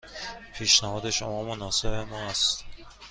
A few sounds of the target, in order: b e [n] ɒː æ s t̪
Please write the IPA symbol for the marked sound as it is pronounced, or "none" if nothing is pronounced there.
m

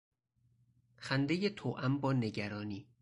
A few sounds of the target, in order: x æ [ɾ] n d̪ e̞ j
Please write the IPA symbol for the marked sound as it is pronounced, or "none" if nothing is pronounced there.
none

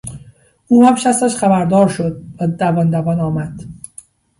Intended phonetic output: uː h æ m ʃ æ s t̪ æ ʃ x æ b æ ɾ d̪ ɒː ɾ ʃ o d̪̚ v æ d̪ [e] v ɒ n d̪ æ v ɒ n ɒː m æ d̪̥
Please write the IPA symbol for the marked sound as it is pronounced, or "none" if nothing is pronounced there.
æ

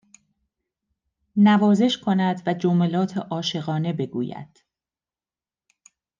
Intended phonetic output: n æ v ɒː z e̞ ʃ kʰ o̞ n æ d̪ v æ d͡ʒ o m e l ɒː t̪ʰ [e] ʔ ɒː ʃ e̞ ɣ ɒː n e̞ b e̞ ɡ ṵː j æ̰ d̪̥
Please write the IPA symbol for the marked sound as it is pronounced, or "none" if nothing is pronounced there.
e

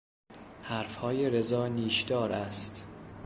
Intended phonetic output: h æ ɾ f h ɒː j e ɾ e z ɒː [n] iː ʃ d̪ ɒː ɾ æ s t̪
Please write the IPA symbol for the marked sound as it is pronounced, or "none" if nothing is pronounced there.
n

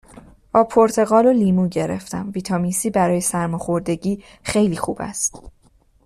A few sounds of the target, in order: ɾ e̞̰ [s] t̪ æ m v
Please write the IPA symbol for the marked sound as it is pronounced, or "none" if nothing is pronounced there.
f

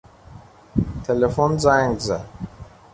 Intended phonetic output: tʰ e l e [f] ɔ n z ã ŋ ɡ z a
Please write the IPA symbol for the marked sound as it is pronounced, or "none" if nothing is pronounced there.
f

